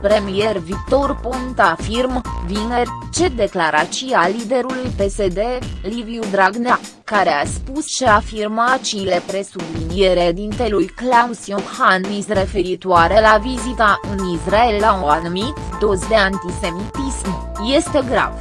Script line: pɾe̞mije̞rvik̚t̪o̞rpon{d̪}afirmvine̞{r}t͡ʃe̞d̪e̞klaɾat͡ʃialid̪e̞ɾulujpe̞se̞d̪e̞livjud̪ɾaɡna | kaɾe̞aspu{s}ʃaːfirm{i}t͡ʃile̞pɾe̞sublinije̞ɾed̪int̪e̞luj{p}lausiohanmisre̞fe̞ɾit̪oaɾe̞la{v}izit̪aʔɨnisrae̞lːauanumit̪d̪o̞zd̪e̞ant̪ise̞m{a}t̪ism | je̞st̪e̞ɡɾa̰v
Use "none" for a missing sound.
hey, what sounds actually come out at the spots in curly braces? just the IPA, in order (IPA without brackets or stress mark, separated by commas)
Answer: t̪, r, s, a, k, v, i